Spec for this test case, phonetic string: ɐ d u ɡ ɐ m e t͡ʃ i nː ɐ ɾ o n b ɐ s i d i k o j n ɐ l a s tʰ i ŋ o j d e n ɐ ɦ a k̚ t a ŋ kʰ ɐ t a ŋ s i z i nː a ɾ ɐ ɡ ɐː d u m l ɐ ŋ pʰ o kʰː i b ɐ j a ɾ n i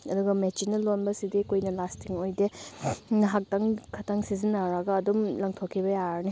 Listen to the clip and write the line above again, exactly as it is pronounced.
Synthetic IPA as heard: ɐ d u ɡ ɐ m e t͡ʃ i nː ɐ l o n b ɐ s i d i k o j n ɐ l a s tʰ i ŋ o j d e n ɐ ɦ a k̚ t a ŋ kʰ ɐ t a ŋ s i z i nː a ɾ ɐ ɡ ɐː d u m l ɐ ŋ tʰ o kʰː i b ɐ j a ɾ n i